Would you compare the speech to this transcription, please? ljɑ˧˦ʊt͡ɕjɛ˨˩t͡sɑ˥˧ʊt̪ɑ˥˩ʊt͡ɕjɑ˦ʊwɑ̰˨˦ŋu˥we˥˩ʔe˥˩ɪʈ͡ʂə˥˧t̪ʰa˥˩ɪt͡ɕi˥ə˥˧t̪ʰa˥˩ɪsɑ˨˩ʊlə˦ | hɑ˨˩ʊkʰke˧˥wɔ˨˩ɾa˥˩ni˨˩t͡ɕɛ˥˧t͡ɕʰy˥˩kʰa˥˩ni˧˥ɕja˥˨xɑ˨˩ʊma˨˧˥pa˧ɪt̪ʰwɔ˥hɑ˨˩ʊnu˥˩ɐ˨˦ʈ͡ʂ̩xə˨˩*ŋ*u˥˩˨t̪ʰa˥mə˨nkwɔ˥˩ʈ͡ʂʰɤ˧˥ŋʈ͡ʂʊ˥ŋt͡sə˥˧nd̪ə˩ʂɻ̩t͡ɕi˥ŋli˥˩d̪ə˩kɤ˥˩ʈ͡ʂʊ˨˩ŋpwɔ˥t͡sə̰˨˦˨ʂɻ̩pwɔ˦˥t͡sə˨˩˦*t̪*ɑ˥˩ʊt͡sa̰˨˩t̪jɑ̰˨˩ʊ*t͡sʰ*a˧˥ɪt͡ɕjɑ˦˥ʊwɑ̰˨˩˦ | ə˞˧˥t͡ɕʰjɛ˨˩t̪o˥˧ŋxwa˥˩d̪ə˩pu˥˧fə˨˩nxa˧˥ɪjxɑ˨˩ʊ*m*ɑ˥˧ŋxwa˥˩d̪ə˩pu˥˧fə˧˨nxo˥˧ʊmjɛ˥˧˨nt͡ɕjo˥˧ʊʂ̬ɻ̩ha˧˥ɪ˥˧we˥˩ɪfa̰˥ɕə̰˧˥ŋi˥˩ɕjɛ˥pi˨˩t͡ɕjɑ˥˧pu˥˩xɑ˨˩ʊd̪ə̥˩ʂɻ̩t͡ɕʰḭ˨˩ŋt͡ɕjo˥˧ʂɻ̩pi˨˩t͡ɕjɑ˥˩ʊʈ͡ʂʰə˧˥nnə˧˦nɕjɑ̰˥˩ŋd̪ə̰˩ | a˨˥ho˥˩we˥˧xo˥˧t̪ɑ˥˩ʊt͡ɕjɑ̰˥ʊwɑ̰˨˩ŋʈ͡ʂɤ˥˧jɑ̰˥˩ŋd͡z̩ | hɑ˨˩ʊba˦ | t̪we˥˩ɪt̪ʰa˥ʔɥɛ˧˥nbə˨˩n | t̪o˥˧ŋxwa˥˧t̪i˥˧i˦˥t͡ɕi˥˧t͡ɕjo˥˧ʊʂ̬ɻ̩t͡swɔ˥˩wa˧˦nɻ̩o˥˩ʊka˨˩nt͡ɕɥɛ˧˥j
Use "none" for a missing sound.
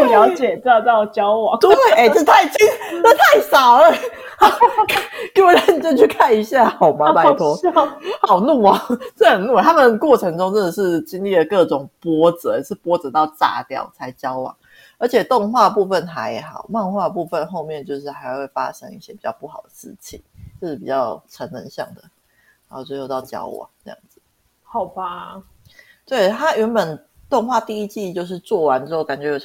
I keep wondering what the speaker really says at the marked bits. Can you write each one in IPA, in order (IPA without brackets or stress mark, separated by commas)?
n, t̪, t͡sʰ, m